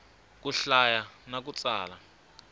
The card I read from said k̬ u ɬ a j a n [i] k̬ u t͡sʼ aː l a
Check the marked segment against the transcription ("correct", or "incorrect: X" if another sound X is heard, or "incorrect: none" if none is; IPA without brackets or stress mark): incorrect: a